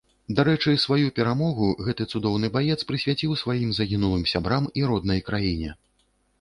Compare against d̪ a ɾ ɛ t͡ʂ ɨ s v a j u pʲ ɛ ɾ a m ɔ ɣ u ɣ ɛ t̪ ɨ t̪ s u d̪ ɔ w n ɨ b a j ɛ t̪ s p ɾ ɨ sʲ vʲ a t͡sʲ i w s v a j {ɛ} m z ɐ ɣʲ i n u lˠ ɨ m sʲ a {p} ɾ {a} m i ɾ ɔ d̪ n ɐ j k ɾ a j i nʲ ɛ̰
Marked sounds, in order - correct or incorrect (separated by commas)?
incorrect, incorrect, correct